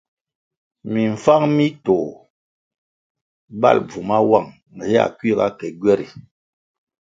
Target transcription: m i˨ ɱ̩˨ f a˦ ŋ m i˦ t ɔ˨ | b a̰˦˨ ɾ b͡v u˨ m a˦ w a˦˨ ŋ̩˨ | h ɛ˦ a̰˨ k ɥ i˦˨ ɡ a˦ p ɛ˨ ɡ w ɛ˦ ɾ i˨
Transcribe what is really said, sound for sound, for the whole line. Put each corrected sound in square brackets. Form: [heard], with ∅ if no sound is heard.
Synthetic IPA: m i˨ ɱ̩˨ f a˦ ŋ m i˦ t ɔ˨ | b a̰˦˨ [l] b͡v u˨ m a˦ w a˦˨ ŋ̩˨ | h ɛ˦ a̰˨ k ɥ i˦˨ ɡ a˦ [k] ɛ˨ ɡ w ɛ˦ ɾ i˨